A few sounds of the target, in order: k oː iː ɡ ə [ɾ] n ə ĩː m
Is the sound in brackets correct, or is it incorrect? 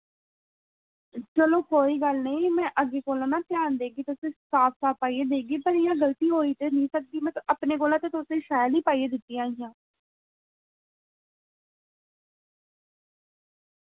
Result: incorrect